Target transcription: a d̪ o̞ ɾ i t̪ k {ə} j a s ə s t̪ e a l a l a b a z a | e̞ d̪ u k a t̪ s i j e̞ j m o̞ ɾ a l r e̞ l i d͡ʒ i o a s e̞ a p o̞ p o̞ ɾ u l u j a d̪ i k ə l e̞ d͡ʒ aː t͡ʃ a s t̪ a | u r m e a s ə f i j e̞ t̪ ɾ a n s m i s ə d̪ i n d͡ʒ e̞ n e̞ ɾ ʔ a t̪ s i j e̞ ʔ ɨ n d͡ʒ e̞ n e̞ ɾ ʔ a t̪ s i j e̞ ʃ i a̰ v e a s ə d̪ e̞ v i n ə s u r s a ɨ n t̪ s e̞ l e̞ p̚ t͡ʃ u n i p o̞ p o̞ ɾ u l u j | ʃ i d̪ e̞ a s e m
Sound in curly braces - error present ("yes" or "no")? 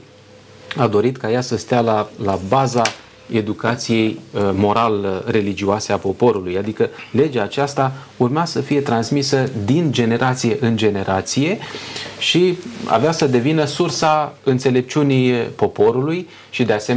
yes